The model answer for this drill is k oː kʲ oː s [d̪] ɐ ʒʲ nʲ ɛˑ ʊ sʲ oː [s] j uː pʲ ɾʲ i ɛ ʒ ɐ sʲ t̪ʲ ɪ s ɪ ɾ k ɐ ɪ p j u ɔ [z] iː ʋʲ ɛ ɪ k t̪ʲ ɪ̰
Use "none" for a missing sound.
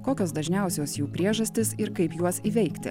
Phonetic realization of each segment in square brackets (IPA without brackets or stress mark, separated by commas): d̪, s, s